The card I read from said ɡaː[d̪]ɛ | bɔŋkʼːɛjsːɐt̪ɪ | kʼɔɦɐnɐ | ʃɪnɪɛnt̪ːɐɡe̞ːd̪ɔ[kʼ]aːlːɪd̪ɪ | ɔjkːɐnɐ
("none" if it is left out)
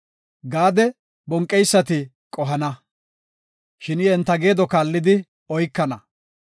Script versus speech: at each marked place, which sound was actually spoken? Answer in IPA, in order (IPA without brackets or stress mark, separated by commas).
d̪, k